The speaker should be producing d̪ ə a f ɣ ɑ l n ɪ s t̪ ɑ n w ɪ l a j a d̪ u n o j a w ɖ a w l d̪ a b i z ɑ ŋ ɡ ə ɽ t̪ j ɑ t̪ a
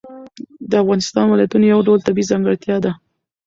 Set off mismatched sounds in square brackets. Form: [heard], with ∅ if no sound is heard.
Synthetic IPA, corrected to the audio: d̪ ə a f ɣ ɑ [∅] n ɪ s t̪ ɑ n w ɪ l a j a [t̪] u n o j a w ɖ a w l [t̪] a b i z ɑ ŋ ɡ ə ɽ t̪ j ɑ [d̪] a